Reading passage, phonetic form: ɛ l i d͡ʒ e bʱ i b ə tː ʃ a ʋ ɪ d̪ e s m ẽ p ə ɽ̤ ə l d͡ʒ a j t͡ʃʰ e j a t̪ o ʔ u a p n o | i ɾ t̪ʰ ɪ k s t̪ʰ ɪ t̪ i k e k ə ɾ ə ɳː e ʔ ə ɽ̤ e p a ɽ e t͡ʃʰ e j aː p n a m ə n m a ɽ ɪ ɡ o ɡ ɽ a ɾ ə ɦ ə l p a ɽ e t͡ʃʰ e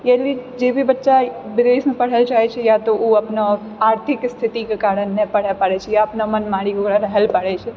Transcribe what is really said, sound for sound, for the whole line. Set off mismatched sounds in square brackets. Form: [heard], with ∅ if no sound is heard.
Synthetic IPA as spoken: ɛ l i d͡ʒ e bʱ i b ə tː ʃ a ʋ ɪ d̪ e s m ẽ p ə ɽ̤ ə l d͡ʒ a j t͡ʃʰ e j a t̪ o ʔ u a p n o | [a] ɾ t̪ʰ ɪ k s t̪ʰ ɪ t̪ i k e k [a] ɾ ə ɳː e [p] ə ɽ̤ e p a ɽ e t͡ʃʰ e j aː p n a m ə n m a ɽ [i] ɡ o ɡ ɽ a ɾ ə ɦ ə l p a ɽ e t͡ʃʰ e